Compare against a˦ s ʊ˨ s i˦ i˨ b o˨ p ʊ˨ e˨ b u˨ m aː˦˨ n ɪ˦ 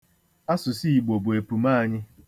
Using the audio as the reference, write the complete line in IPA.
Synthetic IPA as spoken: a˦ s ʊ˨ s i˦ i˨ ɡ͡b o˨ b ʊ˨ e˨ p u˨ m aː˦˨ ɲ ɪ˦